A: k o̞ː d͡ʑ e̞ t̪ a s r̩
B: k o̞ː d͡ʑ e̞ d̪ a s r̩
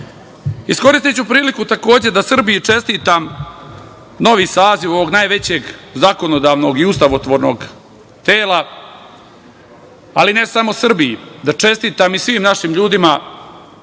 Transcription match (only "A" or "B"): B